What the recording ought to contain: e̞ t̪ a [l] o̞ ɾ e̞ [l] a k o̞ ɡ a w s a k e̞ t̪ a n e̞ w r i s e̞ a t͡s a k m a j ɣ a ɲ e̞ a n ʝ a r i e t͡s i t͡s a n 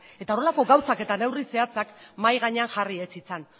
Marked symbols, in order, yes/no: no, yes

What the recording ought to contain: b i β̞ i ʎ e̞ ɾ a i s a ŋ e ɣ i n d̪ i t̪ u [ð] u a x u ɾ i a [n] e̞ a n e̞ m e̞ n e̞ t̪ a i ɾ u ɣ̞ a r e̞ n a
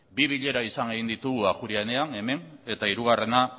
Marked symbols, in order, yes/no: no, yes

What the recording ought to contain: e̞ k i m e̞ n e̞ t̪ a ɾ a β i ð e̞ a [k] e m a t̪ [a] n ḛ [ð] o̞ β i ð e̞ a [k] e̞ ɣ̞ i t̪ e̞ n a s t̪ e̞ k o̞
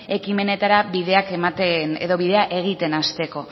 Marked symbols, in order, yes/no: yes, no, yes, no

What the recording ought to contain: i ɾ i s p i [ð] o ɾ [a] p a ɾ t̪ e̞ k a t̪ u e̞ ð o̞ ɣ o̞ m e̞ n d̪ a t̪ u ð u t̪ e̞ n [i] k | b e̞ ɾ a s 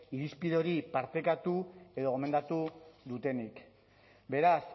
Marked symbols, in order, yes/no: yes, no, yes

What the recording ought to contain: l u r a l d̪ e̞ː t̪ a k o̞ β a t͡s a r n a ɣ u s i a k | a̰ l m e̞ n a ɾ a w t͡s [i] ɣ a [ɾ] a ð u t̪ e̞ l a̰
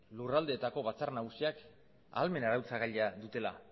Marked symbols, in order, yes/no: no, no

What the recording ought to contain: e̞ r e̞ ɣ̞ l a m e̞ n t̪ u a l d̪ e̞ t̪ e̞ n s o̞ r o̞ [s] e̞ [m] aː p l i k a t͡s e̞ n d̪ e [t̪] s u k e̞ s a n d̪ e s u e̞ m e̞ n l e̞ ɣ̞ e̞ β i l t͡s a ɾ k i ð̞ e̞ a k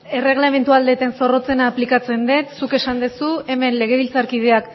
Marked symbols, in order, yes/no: no, no, yes

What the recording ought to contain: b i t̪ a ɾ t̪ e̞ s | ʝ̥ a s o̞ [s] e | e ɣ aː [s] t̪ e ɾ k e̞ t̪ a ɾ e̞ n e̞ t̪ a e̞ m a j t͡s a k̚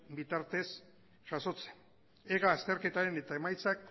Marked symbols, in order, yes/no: no, yes

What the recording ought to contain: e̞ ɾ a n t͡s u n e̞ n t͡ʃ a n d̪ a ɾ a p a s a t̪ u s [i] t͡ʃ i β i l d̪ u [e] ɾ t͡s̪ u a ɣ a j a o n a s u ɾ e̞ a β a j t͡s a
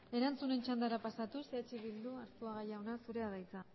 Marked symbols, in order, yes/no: no, no

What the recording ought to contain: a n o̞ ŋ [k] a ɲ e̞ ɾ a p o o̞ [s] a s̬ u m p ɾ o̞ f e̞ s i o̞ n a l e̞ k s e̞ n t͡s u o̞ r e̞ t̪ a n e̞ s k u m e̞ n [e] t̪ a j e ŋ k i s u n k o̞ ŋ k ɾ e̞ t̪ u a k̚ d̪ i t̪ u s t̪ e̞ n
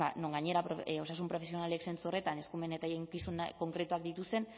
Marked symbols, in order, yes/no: no, yes, yes

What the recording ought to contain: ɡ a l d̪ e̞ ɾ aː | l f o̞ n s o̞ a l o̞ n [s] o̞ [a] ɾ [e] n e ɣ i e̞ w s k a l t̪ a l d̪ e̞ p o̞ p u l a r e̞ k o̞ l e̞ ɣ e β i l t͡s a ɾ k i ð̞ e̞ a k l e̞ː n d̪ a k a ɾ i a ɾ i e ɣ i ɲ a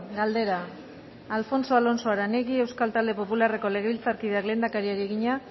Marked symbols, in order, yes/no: yes, yes, no

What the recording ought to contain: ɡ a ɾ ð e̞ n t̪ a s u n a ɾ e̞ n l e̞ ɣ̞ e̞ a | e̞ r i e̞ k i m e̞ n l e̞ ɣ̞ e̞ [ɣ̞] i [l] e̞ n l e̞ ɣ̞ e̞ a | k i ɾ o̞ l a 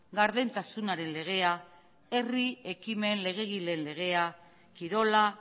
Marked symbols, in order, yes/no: yes, yes

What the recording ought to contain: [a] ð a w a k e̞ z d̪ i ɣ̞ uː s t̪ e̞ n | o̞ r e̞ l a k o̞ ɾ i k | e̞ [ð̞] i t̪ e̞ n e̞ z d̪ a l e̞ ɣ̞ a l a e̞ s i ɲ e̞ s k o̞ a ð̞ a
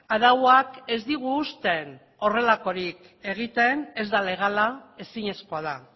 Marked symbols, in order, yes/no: yes, no

